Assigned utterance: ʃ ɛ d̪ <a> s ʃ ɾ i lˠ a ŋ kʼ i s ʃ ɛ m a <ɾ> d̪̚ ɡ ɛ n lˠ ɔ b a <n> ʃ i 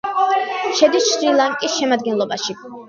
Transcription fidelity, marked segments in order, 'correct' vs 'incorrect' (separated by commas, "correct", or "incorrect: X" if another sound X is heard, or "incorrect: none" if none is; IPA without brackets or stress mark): incorrect: i, incorrect: none, incorrect: none